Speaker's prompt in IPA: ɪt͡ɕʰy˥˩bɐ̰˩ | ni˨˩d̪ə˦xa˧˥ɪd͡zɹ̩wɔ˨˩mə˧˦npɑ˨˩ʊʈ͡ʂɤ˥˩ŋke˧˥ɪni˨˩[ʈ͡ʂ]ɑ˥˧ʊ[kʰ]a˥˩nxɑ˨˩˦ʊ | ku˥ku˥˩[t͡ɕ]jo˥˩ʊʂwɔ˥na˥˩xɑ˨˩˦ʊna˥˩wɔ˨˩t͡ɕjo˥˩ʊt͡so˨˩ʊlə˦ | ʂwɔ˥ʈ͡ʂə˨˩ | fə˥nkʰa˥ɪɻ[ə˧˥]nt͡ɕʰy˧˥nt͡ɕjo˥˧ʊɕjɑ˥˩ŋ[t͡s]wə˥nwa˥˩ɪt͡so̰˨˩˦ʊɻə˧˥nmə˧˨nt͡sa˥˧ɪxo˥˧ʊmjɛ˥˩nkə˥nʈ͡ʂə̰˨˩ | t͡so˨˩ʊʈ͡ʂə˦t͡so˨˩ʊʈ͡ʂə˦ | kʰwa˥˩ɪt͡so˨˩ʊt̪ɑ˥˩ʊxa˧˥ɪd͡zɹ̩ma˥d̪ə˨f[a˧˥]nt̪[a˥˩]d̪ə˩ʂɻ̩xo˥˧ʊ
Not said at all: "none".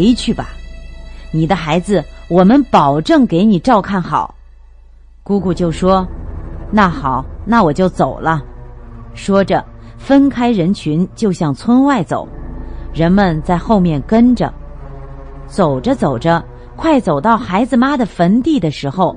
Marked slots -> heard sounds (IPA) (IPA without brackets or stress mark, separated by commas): ʈ͡ʂ, kʰ, t͡ɕ, ə˧˥, t͡sʰ, ə˧˥, i˥˩